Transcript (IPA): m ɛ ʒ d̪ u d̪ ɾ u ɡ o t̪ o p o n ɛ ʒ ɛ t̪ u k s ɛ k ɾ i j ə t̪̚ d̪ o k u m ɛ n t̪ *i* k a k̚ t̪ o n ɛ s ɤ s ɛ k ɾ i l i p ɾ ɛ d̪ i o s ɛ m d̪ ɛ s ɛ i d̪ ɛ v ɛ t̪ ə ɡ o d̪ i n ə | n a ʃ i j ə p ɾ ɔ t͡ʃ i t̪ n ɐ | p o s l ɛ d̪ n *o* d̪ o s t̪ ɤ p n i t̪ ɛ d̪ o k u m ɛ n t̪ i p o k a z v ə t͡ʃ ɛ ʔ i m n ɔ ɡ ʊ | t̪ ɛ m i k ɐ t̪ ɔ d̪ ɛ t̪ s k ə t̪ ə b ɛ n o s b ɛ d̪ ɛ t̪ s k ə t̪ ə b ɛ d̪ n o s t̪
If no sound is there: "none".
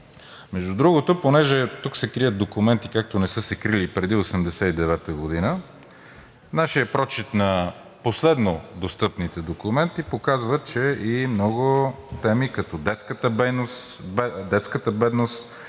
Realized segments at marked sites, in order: i, o

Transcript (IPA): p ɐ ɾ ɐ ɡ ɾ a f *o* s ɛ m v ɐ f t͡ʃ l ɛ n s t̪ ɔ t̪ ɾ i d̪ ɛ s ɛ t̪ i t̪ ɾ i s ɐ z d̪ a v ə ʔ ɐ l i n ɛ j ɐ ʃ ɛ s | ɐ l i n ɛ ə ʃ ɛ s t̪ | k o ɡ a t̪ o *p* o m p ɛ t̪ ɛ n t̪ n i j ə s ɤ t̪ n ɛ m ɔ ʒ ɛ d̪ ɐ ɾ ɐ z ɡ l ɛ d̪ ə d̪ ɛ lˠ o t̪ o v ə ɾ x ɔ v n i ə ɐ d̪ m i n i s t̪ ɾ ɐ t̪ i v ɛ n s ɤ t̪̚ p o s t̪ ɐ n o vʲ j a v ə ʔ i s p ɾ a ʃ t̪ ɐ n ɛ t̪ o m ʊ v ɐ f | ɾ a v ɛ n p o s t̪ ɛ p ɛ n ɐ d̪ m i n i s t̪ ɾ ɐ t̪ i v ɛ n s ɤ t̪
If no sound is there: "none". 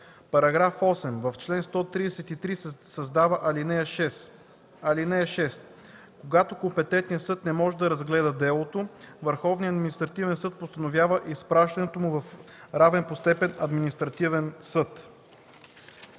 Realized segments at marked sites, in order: ɔ, k

